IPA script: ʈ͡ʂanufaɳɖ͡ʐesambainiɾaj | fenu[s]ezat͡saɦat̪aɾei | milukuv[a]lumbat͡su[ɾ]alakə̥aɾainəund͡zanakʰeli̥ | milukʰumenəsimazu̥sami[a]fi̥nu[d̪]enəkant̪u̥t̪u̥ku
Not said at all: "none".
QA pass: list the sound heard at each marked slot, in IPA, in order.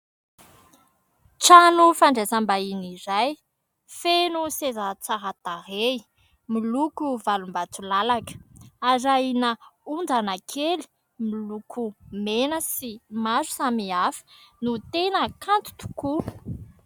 s, a, l, a, t̪

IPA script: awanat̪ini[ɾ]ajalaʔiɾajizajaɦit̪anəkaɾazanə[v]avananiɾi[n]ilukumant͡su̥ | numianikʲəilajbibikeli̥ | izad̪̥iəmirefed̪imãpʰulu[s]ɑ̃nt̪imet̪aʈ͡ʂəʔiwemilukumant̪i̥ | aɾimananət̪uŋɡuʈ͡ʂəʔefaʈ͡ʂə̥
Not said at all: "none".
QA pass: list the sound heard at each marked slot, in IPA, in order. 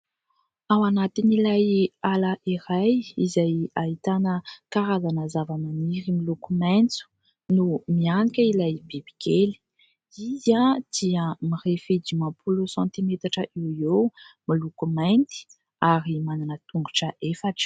l, z, m, s

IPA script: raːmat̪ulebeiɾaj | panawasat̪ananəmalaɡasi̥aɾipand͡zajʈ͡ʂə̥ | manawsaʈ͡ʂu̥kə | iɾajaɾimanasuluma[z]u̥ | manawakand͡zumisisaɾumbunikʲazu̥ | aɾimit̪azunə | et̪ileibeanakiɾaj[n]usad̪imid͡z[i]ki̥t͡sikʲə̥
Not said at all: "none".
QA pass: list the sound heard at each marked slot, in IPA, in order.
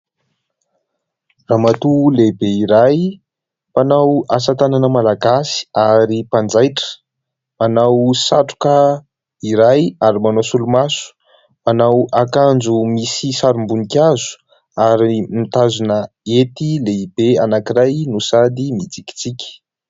s, n, i

